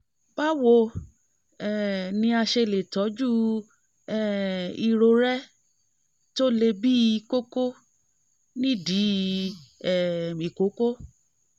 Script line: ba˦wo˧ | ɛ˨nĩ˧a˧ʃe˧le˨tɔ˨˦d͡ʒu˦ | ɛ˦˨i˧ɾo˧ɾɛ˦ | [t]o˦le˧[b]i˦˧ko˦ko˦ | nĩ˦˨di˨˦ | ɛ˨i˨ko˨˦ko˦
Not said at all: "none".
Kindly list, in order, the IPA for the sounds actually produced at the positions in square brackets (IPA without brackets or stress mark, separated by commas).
t, b